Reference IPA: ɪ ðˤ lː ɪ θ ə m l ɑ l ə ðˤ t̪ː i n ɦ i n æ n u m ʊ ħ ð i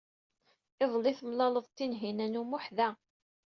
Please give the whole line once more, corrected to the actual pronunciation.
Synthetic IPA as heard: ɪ ðˤ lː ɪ θ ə m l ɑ l ə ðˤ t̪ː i n ɦ i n æ n u m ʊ ħ ð æ